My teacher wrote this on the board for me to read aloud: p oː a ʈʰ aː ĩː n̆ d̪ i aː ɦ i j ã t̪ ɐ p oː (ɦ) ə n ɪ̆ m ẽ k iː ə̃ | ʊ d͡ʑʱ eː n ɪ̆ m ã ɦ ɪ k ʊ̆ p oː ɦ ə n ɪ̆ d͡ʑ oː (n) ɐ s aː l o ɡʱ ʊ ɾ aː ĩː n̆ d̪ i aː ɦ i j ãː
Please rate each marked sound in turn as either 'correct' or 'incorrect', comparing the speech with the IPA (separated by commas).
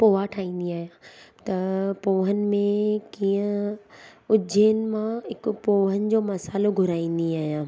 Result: correct, incorrect